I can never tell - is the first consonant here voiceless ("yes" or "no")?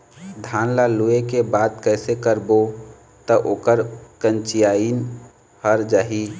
no